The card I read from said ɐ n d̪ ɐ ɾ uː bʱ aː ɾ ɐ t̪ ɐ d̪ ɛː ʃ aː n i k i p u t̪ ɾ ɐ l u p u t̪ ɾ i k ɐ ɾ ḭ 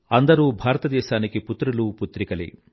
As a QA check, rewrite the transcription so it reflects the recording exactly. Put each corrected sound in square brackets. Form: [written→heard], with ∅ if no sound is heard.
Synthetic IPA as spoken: ɐ n d̪ ɐ ɾ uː bʱ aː ɾ ɐ t̪ ɐ d̪ ɛː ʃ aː n i k i p u t̪ ɾ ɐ l u p u t̪ ɾ i k ɐ [ɾ→l] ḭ

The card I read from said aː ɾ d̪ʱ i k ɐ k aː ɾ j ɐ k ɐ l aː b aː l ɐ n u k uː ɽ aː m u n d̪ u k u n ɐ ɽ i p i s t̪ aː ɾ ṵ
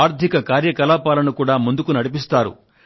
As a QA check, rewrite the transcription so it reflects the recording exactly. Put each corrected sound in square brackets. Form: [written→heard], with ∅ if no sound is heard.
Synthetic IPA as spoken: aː ɾ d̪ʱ i k ɐ k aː ɾ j ɐ k ɐ l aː [b→p] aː l ɐ n u k uː ɽ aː m u n d̪ u k u n ɐ ɽ i p i s t̪ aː ɾ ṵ

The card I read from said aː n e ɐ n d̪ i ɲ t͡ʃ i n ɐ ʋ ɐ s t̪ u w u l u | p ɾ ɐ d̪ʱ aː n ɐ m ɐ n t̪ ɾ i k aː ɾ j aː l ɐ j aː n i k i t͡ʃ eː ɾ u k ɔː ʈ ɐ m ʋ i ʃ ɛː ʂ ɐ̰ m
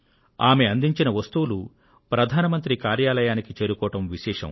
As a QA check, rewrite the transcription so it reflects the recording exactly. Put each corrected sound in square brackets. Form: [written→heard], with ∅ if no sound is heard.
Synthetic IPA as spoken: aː [n→m] e ɐ n d̪ i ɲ t͡ʃ i n ɐ ʋ ɐ s t̪ u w u l u | p ɾ ɐ d̪ʱ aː n ɐ m ɐ n t̪ ɾ i k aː ɾ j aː l ɐ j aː n i k i t͡ʃ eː ɾ u k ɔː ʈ ɐ m ʋ i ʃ ɛː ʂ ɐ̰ m

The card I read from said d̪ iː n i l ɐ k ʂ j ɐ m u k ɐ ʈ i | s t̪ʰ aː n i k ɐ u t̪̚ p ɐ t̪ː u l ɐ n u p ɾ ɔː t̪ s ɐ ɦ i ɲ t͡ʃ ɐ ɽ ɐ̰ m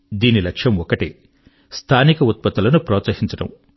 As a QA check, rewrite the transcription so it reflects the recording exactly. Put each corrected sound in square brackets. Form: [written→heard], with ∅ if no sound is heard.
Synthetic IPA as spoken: d̪ iː n i l ɐ k ʂ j ɐ m [u→ɔ] k ɐ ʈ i | s t̪ʰ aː n i k ɐ u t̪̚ p ɐ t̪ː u l ɐ n u p ɾ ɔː t̪ s ɐ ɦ i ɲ t͡ʃ ɐ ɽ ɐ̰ m

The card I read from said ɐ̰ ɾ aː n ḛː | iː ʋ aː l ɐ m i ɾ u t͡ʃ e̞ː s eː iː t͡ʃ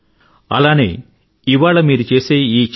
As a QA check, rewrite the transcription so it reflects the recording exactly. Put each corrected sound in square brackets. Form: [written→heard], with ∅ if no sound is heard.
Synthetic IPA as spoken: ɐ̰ [ɾ→l] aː n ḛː | [iː→i] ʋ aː [l→ɭ] ɐ m [i→iː] ɾ u t͡ʃ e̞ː s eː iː t͡ʃ

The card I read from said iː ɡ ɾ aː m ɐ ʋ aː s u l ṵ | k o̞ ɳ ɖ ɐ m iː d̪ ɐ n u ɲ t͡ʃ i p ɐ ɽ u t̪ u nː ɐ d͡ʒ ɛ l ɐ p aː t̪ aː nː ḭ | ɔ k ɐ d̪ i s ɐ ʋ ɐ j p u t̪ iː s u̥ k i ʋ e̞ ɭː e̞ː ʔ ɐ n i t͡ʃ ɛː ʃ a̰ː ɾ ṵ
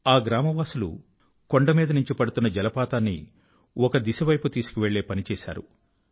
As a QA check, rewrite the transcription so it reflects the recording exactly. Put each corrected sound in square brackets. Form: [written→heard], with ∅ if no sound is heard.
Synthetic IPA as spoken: [iː→aː] ɡ ɾ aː m ɐ ʋ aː s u l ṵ | k o̞ ɳ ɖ ɐ m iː d̪ ɐ n u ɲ t͡ʃ i p ɐ ɽ u t̪ u nː ɐ d͡ʒ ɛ l ɐ p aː t̪ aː nː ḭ | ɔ k ɐ d̪ i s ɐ ʋ ɐ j p u t̪ iː s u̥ k i ʋ e̞ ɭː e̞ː [ʔ→p] ɐ n i t͡ʃ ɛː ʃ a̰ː ɾ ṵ

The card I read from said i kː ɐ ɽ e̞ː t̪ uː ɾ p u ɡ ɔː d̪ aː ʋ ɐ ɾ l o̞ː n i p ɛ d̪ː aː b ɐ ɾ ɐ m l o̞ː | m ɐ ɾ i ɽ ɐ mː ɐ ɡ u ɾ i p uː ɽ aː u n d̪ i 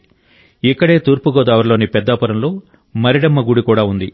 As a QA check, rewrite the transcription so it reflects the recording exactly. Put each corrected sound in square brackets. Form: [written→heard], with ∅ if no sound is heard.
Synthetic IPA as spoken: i kː ɐ ɽ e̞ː t̪ uː ɾ p u ɡ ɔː d̪ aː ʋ ɐ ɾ l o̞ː n i p ɛ d̪ː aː [b→p] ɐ ɾ ɐ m l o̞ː | m ɐ ɾ i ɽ ɐ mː ɐ ɡ u [ɾ→ɽ] i [p→k] uː ɽ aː u n d̪ i

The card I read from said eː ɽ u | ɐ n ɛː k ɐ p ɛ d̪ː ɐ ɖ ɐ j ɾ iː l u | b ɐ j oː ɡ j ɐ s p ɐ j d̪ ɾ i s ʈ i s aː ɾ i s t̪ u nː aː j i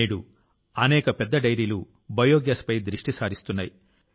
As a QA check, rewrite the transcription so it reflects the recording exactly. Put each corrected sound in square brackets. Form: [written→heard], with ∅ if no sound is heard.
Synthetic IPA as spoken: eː ɽ u | ɐ n ɛː k ɐ p ɛ d̪ː ɐ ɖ ɐ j ɾ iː l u | b ɐ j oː ɡ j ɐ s p ɐ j d̪ ɾ i [s→ʂ] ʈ i s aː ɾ i s t̪ u nː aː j i

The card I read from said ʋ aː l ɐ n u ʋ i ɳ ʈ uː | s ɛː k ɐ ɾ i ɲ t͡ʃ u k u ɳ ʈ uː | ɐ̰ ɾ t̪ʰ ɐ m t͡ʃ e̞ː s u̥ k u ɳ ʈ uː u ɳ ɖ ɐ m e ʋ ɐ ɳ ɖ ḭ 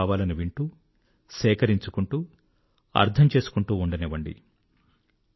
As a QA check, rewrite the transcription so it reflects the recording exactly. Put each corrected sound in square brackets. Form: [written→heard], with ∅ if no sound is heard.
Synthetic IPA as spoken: ʋ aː l ɐ n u ʋ i ɳ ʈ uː | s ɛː k ɐ ɾ i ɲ t͡ʃ u k u ɳ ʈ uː | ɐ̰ ɾ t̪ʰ ɐ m t͡ʃ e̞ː s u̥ k u ɳ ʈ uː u ɳ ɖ ɐ [m→n] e ʋ ɐ ɳ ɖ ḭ

